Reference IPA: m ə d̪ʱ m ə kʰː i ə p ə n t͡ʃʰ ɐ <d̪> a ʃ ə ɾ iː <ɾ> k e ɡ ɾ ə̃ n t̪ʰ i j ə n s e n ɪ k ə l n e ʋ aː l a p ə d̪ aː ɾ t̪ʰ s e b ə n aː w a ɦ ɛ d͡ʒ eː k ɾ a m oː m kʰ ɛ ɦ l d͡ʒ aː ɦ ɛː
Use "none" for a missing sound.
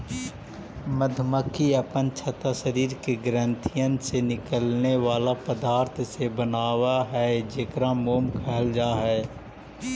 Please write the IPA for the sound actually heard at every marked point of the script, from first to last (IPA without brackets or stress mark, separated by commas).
t̪, ɾ